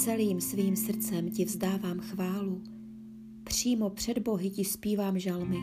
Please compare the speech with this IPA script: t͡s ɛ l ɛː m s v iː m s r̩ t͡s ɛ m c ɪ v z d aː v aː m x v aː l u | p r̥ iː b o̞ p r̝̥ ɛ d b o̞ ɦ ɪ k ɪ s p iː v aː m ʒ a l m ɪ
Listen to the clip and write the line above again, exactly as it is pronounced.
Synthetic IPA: t͡s ɛ l iː m s v iː m s r̩ t͡s ɛ m c ɪ v z d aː v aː m x v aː l u | p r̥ iː m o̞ p r̝̥ ɛ d b o̞ ɦ ɪ c ɪ s p iː v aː m ʒ a l m ɪ